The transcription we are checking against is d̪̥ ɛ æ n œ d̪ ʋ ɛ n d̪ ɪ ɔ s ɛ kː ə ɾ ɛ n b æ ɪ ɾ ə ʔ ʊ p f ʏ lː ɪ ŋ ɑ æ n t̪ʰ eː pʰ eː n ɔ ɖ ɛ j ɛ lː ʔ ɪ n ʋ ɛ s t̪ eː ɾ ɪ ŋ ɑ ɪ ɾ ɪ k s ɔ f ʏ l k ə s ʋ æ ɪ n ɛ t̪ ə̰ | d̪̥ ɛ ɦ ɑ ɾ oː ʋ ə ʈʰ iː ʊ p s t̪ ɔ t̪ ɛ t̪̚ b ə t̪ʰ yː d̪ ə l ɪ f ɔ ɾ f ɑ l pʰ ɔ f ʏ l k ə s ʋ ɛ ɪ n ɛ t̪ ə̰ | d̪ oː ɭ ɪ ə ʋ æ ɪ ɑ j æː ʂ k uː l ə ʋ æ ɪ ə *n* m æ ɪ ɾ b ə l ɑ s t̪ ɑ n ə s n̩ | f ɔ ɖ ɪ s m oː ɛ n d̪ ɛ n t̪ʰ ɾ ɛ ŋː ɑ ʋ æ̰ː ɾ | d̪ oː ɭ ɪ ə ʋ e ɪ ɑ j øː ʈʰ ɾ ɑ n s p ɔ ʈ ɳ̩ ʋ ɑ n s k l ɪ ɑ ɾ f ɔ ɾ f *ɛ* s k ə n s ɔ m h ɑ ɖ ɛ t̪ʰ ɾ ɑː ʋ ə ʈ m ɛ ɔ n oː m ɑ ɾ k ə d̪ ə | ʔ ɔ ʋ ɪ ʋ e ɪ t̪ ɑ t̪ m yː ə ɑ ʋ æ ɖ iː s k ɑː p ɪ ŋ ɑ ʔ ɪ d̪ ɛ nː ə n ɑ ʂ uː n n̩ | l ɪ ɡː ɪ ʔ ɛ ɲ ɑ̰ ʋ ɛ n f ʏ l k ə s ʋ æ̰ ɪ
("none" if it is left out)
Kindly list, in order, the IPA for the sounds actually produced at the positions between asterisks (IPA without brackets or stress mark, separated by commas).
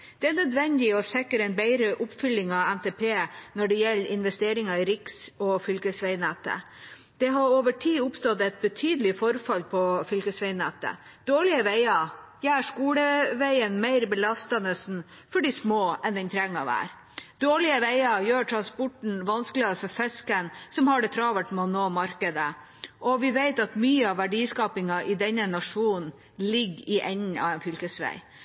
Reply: n, ɛ